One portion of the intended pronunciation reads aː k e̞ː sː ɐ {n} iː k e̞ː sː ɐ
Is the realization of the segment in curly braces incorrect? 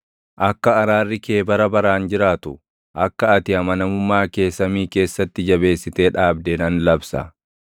yes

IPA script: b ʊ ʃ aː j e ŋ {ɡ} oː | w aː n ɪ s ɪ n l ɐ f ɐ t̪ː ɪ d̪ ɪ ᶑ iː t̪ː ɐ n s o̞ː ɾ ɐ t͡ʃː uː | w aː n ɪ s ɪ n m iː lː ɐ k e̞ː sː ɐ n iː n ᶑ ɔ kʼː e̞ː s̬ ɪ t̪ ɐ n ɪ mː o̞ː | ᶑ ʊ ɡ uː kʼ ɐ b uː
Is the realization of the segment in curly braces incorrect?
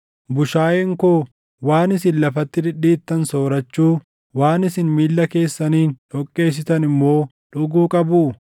yes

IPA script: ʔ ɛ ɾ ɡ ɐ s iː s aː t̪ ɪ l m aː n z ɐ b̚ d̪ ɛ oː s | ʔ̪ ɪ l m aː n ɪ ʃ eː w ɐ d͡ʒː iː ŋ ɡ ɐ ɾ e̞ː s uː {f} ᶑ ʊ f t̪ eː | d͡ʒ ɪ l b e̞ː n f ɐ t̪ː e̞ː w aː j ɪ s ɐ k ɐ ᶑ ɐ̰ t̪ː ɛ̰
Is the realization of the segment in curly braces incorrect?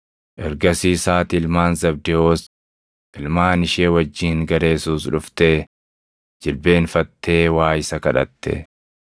yes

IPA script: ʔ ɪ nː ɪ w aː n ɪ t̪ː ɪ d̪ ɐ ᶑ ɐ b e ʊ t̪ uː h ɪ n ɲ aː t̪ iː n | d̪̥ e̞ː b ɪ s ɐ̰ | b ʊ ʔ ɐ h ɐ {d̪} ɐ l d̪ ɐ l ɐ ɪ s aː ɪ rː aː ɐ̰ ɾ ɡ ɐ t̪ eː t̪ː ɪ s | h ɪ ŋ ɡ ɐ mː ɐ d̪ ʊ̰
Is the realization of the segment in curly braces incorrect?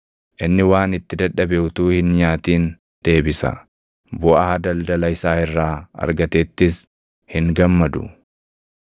no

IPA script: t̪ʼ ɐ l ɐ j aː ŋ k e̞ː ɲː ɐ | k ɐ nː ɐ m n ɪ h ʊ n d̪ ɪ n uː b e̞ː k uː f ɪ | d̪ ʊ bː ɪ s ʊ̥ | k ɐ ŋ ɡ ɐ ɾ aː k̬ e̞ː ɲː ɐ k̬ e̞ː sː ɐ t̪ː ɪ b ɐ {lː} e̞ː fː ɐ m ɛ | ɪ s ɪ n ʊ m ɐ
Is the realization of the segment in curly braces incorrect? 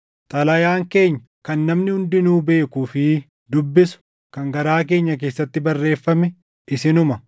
yes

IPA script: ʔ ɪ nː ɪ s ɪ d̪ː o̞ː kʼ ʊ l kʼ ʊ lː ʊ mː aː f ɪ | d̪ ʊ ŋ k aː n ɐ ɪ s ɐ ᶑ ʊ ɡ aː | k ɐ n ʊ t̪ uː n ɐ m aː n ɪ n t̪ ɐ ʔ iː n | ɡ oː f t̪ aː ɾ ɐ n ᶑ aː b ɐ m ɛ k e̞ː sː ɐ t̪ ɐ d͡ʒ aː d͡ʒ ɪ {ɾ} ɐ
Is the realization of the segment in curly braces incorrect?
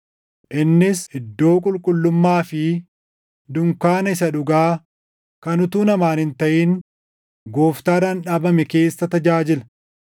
yes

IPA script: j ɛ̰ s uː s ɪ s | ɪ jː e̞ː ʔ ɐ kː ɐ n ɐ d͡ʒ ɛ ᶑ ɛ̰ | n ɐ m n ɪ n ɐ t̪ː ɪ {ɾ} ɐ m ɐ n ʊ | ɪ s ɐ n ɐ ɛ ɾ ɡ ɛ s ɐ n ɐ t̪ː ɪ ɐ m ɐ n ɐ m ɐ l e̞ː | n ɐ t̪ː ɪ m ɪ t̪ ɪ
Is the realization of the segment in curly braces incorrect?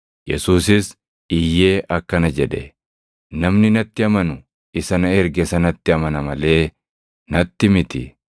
yes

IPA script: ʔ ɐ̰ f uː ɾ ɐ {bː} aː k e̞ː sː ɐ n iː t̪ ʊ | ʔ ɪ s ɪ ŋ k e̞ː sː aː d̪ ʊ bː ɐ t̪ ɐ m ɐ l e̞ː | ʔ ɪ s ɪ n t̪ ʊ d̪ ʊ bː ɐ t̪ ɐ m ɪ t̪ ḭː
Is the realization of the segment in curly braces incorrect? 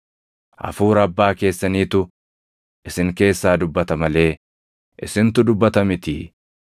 no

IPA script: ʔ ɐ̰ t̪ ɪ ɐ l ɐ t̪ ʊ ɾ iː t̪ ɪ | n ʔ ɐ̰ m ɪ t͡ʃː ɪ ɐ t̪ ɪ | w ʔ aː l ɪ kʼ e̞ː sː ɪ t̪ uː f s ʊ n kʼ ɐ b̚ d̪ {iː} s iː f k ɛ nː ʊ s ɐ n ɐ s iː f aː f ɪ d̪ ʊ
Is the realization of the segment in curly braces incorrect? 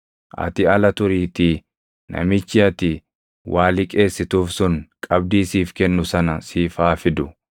no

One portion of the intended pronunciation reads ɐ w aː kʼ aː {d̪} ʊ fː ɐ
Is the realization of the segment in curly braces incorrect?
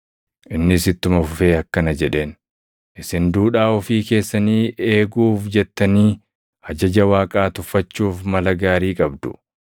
yes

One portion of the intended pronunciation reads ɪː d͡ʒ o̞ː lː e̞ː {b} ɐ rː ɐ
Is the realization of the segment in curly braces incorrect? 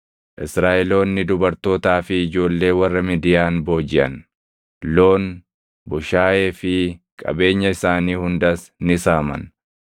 yes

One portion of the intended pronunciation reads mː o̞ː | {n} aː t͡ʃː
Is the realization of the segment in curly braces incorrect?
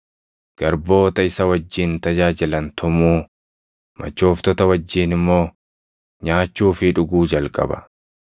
yes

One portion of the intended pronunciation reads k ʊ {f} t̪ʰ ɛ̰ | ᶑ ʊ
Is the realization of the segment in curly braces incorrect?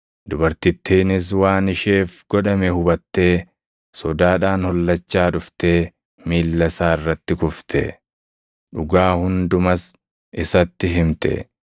no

